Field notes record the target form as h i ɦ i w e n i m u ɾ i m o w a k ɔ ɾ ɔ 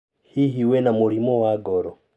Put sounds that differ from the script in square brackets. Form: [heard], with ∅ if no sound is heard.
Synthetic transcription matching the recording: h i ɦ i w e n [a] m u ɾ i m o w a [ɡ] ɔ ɾ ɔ